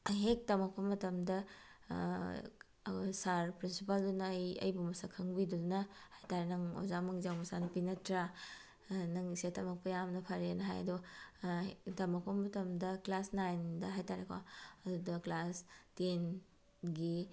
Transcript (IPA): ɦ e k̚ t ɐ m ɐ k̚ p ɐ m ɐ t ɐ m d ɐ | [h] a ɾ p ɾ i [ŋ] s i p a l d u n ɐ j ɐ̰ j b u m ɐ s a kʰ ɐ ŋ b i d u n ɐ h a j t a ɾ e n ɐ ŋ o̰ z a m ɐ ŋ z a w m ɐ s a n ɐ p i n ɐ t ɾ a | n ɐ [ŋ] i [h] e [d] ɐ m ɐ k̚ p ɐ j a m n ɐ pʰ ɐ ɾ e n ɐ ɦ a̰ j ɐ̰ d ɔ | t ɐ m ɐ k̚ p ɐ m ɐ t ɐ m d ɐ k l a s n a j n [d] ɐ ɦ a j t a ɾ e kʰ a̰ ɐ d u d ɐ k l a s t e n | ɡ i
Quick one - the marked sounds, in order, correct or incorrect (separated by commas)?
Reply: incorrect, incorrect, correct, incorrect, incorrect, correct